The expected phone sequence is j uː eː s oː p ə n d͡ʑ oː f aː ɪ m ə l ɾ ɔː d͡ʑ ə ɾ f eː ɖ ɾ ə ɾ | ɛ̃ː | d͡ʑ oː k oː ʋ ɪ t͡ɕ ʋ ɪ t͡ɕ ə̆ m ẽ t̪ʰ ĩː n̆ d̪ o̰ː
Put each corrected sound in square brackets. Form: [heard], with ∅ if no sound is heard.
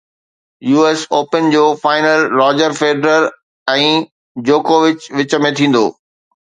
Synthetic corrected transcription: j uː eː s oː p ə n d͡ʑ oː f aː ɪ [n] ə l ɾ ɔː d͡ʑ ə ɾ f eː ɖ ɾ ə ɾ | ɛ̃ː | d͡ʑ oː k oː ʋ ɪ t͡ɕ ʋ ɪ t͡ɕ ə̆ m ẽ t̪ʰ ĩː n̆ d̪ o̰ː